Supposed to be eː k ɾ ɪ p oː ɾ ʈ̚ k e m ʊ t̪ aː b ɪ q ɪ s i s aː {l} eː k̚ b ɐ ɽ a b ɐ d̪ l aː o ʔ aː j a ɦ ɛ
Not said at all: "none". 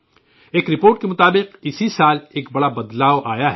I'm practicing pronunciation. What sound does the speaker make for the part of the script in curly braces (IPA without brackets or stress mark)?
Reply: l